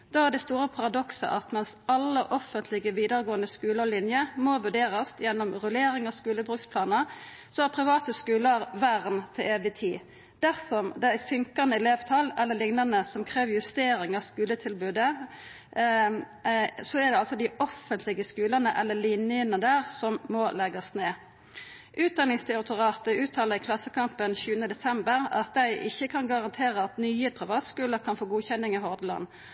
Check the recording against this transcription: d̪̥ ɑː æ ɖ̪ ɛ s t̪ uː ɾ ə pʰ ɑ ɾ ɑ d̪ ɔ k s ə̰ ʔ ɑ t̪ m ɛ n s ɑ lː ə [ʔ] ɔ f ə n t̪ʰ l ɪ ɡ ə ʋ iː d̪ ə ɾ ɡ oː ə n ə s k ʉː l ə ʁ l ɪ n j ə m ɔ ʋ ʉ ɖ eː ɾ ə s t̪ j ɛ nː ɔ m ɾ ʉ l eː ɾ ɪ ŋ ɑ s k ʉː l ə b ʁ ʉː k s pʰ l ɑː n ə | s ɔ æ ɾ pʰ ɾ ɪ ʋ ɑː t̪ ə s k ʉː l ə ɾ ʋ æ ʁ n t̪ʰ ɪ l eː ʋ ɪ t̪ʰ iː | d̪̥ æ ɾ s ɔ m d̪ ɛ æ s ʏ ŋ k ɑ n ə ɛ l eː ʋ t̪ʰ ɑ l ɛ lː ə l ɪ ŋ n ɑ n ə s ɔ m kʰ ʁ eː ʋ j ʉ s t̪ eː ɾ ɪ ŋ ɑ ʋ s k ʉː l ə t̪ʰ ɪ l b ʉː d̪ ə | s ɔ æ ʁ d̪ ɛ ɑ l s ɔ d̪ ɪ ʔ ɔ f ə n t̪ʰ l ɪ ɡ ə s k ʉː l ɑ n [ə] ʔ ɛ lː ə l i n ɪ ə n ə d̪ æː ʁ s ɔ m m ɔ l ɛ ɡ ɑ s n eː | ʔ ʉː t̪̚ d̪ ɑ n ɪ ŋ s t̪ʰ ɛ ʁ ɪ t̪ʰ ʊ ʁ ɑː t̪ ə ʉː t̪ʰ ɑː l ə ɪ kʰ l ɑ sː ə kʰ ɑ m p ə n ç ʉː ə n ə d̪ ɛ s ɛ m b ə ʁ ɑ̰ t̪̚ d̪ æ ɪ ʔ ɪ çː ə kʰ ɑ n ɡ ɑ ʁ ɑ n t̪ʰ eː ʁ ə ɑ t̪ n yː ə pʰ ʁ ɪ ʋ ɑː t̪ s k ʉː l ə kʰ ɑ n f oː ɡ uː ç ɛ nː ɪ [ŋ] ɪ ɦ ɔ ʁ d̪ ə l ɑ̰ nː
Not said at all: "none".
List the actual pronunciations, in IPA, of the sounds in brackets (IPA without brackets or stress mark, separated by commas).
ʔ, ə, ŋ